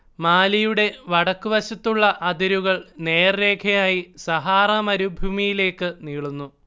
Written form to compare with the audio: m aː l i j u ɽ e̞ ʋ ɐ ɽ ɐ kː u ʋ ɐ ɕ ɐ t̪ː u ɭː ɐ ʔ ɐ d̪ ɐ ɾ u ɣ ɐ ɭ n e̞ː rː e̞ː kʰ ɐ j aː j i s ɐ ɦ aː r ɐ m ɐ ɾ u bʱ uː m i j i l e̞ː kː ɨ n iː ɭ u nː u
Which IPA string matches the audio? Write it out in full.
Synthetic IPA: m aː l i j u ɽ e̞ ʋ ɐ ɽ ɐ kː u ʋ ɐ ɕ ɐ t̪ː u ɭː ɐ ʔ ɐ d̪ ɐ ɾ u ɣ ɐ ɭ n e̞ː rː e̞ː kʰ ɐ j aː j i s ɐ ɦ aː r ɐ m ɐ ɾ u bʱ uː m i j i l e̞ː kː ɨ n iː ɭ u nː u